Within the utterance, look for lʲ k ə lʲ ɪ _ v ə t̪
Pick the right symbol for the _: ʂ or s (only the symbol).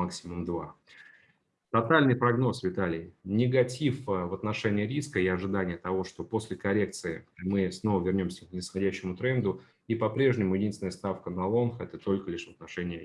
ʂ